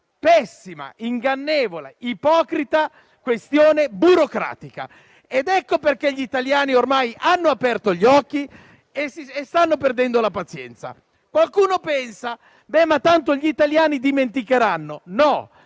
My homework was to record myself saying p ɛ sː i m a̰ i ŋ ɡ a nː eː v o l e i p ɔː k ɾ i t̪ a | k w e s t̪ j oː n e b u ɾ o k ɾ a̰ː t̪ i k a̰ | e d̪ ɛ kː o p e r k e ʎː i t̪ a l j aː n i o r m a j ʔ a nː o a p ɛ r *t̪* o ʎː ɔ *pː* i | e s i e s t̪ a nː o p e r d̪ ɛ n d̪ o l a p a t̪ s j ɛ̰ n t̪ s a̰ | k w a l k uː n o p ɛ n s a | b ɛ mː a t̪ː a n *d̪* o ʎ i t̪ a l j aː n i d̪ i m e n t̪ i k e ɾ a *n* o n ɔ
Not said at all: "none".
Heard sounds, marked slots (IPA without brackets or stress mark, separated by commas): t̪, kː, t̪, nː